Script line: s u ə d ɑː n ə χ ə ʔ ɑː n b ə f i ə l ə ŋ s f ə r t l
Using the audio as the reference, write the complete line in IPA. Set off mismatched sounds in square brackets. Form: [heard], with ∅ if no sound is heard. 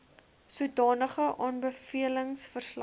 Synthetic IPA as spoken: s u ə d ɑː n ə χ ə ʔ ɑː n b ə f i ə l ə ŋ s f ə r [s] l